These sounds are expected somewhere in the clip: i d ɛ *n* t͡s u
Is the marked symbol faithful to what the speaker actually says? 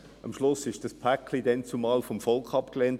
yes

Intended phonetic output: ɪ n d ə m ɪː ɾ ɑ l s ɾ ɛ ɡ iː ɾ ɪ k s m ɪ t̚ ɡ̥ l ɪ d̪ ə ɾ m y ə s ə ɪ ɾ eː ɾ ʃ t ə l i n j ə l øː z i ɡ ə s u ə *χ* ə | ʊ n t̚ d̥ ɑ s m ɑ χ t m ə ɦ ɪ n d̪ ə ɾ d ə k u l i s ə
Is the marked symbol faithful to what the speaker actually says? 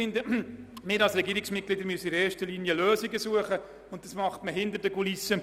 yes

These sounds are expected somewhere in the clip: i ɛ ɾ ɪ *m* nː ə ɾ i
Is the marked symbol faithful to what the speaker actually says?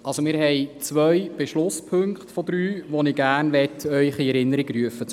no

